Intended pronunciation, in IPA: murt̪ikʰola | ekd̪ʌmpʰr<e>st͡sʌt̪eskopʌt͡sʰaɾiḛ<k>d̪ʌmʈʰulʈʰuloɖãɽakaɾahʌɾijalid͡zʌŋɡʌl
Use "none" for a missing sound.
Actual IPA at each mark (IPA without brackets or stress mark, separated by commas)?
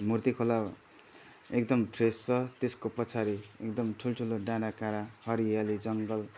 e, k